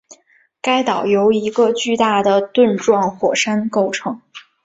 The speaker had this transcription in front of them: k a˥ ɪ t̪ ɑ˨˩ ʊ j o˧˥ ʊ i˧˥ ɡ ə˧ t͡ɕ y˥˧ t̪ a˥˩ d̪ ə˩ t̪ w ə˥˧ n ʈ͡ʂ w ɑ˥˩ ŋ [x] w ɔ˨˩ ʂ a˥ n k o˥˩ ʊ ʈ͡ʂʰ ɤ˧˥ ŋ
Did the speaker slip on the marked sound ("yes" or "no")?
no